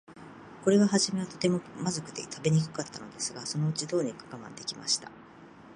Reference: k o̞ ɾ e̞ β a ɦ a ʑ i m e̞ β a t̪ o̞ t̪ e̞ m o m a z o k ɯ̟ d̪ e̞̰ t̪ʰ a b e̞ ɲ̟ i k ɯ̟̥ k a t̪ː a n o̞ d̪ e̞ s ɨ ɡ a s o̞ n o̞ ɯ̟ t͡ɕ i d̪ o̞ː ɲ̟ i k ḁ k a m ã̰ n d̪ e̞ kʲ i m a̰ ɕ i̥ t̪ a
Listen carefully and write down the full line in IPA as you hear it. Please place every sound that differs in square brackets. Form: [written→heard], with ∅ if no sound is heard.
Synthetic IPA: k o̞ ɾ e̞ β a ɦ a ʑ i m e̞ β a t̪ o̞ t̪ e̞ m o m a z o k ɯ̟ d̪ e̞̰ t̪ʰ a b e̞ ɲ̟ i k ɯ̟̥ k a t̪ː a n o̞ d̪ e̞ s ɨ ɡ a s o̞ n o̞ ɯ̟ t͡ɕ i d̪ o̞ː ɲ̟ i k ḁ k a m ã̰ n d̪ e̞ kʲ i m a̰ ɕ i̥ t̪ a